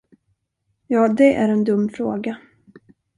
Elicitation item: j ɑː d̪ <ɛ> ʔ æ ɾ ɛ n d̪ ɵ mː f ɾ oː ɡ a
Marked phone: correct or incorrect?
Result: correct